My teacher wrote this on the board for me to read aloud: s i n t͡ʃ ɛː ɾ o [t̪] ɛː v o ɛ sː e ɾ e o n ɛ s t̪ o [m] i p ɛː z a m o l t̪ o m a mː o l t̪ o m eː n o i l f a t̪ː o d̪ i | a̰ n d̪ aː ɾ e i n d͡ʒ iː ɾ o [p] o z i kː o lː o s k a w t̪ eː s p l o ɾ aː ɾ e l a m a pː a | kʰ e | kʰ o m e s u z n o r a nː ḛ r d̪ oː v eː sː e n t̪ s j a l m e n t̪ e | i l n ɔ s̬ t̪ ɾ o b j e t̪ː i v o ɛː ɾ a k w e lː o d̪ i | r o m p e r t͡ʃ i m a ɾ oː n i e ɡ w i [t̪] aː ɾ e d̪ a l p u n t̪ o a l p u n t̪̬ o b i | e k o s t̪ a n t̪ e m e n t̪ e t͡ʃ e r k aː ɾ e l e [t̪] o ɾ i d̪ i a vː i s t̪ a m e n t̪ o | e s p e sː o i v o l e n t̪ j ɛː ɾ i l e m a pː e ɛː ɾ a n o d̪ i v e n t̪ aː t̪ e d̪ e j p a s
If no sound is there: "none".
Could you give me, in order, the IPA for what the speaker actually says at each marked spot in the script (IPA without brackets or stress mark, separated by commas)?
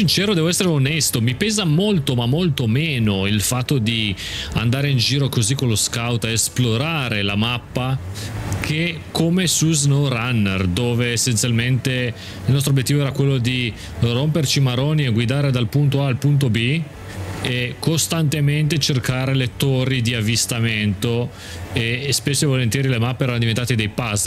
d̪, m, k, d̪, t̪